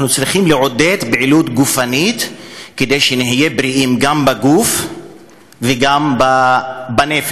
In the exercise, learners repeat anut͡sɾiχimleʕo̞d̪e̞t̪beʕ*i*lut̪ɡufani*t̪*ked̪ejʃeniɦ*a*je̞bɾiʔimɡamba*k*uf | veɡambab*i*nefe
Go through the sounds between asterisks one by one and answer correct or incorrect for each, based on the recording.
correct, correct, incorrect, incorrect, incorrect

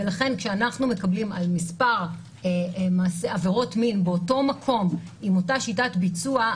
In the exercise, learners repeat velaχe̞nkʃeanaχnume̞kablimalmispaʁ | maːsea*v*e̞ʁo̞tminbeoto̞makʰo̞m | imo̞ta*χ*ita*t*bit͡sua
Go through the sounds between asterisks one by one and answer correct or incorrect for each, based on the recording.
correct, incorrect, correct

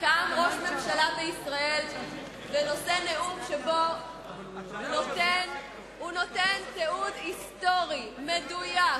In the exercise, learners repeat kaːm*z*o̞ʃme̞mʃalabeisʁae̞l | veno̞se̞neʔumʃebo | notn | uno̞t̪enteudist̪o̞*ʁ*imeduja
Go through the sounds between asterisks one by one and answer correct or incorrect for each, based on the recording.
incorrect, correct

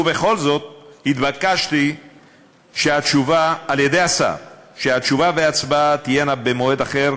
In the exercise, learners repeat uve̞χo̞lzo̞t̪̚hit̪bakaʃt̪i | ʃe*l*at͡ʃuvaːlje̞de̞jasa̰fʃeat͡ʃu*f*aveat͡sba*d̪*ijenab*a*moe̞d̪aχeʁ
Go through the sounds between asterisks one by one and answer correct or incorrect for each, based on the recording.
incorrect, incorrect, incorrect, incorrect

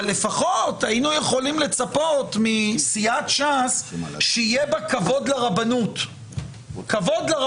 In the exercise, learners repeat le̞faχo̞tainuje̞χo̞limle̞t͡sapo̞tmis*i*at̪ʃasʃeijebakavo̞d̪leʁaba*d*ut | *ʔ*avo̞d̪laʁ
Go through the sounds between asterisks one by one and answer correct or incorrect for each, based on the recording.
correct, incorrect, incorrect

